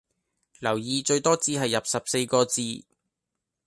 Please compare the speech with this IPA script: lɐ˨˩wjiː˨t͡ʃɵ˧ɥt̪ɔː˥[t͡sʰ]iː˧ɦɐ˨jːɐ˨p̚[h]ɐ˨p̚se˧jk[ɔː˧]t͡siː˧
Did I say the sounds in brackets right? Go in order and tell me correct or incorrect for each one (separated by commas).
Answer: incorrect, incorrect, correct